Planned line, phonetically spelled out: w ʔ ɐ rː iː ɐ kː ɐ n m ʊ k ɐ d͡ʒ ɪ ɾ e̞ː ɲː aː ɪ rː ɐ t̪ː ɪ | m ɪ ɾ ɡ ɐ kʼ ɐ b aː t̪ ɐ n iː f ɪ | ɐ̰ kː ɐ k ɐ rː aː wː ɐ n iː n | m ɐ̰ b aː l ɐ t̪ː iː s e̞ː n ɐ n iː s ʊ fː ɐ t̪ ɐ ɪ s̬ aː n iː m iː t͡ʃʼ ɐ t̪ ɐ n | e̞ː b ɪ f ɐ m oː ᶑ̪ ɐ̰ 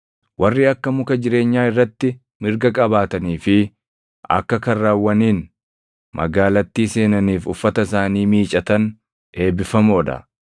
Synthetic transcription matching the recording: w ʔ ɐ rː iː ɐ kː ɐ m ʊ k ɐ d͡ʒ ɪ ɾ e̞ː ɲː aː ɪ rː ɐ t̪ː ɪ | m ɪ ɾ ɡ ɐ kʼ ɐ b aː t̪ ɐ n iː f ɪ | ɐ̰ kː ɐ k ɐ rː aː wː ɐ n iː n | m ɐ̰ ɡ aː l ɐ t̪ː iː s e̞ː n ɐ n iː f ʊ fː ɐ t̪ ɐ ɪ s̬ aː n iː m iː t͡ʃʼ ɐ t̪ ɐ n | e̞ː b ɪ f ɐ m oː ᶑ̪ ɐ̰